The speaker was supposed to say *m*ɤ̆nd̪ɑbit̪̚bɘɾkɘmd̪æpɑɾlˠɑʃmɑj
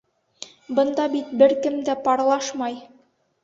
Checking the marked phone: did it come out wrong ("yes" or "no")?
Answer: yes